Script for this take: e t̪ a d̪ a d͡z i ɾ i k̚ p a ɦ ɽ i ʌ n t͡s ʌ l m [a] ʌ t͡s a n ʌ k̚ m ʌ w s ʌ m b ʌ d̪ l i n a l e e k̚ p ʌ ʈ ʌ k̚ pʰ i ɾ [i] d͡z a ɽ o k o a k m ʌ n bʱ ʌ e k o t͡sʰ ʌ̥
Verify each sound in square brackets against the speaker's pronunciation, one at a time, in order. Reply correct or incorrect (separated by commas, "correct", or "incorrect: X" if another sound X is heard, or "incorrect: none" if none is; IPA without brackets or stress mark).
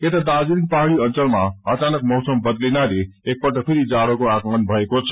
correct, correct